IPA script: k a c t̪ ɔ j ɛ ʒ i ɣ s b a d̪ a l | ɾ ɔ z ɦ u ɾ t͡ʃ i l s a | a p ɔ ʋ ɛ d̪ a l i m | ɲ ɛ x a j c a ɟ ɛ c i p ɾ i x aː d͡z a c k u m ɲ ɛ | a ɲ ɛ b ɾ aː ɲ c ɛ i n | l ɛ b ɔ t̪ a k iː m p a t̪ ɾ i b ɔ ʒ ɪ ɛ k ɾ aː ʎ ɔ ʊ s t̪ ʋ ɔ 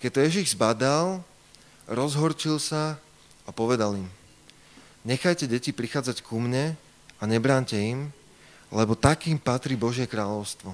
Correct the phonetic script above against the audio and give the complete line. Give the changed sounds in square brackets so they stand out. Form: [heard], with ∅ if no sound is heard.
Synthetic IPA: k [ɛ] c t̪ ɔ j ɛ ʒ i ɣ [z] b a d̪ a l | ɾ ɔ z ɦ [ɔ] ɾ t͡ʃ i l s a | a p ɔ ʋ ɛ d̪ a l i m | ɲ ɛ x a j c [ɛ] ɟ ɛ c i p ɾ i x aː d͡z a c k u m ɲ ɛ | a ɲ ɛ b ɾ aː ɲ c ɛ i [m] | l ɛ b ɔ t̪ a k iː m p a t̪ ɾ i b ɔ ʒ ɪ ɛ k ɾ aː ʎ ɔ ʊ s t̪ ʋ ɔ